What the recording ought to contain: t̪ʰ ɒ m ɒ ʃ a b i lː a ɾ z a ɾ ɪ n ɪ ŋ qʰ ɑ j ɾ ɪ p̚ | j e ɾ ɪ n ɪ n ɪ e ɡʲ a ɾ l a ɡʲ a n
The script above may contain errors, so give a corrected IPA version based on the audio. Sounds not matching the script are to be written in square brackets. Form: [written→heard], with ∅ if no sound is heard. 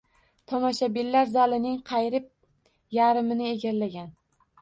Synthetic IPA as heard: t̪ʰ ɒ m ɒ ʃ a b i lː a ɾ z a [ɾ→l] ɪ n ɪ ŋ qʰ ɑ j ɾ ɪ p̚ | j [e→a] ɾ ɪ [n→m] ɪ n ɪ e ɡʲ a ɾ l a ɡʲ a n